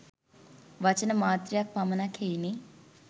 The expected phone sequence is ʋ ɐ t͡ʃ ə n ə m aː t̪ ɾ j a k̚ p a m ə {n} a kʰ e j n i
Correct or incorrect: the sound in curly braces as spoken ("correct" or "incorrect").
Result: correct